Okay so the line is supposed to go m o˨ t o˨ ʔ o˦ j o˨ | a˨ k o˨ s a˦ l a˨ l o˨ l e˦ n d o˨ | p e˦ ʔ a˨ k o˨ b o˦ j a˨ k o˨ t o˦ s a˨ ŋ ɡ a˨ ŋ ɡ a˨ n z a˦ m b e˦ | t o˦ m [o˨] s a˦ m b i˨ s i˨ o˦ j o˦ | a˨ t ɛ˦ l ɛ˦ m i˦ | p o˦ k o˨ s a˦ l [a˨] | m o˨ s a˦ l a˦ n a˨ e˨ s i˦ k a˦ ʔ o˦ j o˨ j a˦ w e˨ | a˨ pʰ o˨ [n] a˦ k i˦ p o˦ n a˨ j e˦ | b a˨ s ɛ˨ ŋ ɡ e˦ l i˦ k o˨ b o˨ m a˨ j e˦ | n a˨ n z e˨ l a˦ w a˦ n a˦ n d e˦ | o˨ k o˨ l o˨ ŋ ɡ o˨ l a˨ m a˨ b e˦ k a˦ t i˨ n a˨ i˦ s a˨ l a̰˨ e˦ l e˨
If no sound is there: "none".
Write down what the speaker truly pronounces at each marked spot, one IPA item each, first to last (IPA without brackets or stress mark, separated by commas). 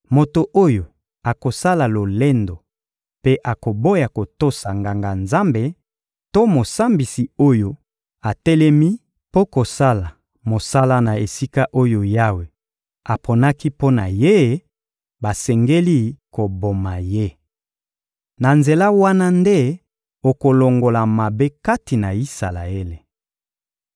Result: o˨, a˨, n